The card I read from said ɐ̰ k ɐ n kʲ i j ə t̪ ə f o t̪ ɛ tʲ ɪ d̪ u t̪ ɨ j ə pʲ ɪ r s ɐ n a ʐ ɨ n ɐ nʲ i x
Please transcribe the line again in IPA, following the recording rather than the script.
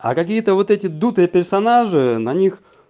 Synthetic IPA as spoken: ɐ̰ k ɐ kʲ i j ə t̪ ə v o t̪ ɛ tʲ ɪ d̪ u t̪ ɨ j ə pʲ ɪ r s ɐ n a ʐ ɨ n ɐ nʲ i x